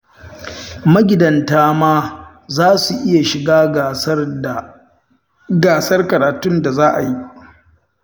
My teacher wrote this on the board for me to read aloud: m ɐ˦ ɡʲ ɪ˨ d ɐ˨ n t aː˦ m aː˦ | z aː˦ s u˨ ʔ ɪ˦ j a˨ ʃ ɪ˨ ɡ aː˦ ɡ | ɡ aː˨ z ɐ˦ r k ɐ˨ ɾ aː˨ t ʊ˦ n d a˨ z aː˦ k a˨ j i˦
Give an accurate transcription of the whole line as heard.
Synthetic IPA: m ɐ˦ ɡʲ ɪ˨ d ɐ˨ n t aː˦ m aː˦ | z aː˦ s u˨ ʔ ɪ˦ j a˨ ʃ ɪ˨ ɡ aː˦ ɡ | ɡ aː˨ s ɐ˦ r k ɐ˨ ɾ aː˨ t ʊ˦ n d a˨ z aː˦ ʔ a˨ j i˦